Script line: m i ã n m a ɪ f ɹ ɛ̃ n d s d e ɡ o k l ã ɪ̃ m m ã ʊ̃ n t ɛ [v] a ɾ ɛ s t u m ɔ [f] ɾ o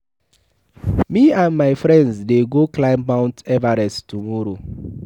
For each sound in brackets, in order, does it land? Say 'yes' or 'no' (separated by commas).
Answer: yes, no